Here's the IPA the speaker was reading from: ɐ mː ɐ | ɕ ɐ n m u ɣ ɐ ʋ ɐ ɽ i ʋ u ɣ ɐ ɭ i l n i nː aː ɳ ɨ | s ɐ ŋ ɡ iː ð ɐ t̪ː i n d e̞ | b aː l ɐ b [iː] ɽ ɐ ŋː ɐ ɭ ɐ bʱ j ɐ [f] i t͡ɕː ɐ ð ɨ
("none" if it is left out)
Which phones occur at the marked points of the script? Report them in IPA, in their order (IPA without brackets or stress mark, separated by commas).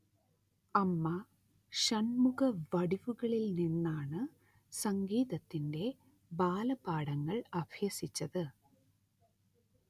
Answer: aː, s